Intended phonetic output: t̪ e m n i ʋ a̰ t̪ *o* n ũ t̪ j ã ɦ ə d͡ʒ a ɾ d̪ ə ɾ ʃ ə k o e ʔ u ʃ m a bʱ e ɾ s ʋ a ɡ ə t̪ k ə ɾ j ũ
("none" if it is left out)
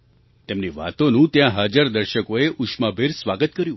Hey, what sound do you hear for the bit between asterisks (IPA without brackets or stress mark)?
o